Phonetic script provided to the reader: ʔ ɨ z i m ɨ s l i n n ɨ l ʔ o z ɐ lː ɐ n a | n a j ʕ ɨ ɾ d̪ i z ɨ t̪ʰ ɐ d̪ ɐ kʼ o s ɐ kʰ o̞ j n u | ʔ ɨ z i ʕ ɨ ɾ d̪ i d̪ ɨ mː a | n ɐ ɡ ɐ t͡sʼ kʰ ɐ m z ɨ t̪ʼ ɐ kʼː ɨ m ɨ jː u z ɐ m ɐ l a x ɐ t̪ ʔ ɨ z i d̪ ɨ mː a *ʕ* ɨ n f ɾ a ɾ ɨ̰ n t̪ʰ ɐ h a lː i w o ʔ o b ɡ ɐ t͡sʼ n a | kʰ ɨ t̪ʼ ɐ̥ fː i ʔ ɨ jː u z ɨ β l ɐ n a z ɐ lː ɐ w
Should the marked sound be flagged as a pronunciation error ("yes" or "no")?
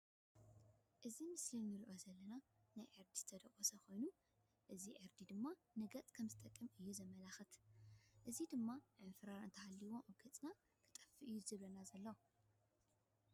no